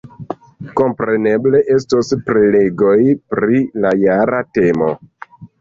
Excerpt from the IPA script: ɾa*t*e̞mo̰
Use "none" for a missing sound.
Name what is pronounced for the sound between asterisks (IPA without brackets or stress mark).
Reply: t